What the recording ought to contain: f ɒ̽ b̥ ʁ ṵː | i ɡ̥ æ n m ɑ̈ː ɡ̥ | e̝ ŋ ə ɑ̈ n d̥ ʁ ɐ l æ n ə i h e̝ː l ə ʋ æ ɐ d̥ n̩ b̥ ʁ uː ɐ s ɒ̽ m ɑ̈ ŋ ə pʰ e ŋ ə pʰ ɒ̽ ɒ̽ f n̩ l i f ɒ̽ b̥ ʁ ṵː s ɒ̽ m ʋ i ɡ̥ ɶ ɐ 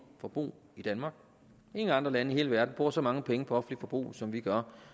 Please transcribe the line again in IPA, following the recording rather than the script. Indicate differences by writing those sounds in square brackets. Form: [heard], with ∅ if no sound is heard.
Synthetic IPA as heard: f ɒ̽ b̥ ʁ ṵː | i [d̥] æ n m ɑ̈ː ɡ̥ | e̝ ŋ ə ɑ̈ n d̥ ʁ ɐ l æ n ə i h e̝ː l ə ʋ æ ɐ d̥ n̩ b̥ ʁ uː ɐ s ɒ̽ m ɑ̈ ŋ ə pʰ e ŋ ə pʰ ɒ̽ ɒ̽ f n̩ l i f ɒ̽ b̥ ʁ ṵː s ɒ̽ m ʋ i ɡ̥ ɶ ɐ